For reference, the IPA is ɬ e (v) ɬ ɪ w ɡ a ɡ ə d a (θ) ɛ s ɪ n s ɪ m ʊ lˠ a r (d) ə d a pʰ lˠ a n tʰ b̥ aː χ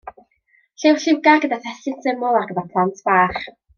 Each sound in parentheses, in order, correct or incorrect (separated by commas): incorrect, correct, incorrect